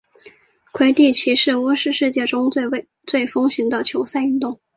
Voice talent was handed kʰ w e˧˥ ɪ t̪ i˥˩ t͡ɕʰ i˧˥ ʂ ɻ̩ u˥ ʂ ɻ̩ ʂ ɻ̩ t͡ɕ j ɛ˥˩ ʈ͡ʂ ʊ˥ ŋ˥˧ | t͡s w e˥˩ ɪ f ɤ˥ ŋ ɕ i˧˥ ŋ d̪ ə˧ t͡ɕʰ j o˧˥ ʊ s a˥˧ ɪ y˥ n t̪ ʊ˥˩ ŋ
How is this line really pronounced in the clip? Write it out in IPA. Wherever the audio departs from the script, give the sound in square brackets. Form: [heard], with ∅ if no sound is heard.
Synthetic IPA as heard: kʰ w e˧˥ ɪ t̪ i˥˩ t͡ɕʰ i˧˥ ʂ ɻ̩ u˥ ʂ ɻ̩ ʂ ɻ̩ t͡ɕ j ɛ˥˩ ʈ͡ʂ ʊ˥ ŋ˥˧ | t͡s w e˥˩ ɪ f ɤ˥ ŋ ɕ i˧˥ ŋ d̪ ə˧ t͡ɕʰ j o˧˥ ʊ s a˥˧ ɪ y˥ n t̪ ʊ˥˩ ŋ